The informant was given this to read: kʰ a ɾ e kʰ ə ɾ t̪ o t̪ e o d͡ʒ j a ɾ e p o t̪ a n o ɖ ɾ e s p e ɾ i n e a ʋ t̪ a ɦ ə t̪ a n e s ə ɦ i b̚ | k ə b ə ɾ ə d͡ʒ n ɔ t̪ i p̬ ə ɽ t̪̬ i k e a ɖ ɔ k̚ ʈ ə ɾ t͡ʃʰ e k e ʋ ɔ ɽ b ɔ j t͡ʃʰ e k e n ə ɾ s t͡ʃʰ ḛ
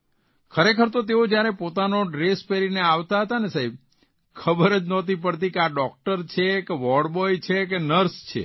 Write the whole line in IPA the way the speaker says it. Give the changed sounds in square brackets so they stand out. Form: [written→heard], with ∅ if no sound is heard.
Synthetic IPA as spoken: kʰ [a→ə] ɾ e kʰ ə ɾ t̪ o t̪ e o d͡ʒ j a ɾ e p o t̪ a n o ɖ ɾ e s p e ɾ i n e a ʋ t̪ a ɦ ə t̪ a n e s [ə→a] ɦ i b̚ | [k→kʰ] ə b ə ɾ ə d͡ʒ n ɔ t̪ i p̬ ə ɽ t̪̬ i k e a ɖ ɔ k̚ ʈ ə ɾ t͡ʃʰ e k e ʋ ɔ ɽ b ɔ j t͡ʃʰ e k e n ə ɾ s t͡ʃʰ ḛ